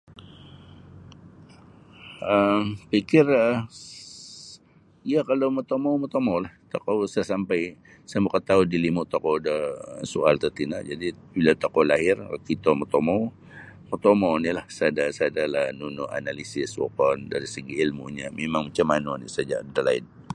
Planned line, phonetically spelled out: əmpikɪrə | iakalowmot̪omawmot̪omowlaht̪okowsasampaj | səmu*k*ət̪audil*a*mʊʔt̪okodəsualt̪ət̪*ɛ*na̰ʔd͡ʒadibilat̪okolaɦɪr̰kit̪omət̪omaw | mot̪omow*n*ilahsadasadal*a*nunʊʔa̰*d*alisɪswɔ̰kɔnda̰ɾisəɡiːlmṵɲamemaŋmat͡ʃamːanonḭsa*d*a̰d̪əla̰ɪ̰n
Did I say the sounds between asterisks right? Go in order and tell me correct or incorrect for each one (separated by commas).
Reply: correct, incorrect, incorrect, correct, correct, incorrect, incorrect